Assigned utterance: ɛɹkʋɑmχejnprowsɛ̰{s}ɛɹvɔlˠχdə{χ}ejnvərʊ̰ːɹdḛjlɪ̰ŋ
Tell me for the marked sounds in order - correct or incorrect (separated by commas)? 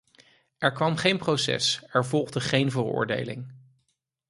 correct, correct